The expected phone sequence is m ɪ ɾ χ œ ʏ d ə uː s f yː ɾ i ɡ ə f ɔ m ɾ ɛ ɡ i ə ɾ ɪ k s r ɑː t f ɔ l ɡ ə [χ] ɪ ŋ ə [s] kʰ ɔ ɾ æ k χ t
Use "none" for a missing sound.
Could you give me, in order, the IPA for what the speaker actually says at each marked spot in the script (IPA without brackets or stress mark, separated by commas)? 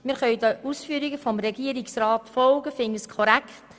f, s